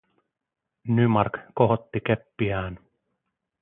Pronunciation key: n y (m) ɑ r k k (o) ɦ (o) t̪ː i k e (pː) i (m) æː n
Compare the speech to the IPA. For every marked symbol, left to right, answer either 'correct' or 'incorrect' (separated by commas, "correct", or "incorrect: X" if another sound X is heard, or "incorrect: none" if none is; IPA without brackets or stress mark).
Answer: correct, correct, correct, correct, incorrect: none